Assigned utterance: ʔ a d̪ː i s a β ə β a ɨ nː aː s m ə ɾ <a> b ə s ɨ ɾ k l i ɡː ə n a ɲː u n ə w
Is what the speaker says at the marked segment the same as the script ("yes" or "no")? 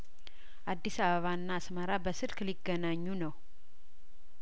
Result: yes